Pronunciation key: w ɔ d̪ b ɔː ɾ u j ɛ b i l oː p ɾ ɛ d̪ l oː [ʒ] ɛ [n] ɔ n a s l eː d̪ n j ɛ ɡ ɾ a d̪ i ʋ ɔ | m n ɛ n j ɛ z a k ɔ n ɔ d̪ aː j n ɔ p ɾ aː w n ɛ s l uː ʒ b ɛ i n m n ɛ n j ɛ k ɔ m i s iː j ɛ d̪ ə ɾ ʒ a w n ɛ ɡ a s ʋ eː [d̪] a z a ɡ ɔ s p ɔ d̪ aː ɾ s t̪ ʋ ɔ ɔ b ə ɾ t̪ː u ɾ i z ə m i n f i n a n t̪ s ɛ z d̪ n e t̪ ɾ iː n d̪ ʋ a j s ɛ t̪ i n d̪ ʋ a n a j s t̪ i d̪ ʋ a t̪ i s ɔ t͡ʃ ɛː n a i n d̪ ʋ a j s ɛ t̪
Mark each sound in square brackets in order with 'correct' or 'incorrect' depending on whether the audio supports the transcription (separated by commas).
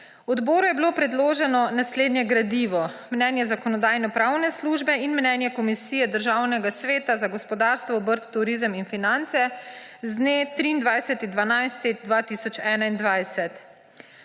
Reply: correct, correct, incorrect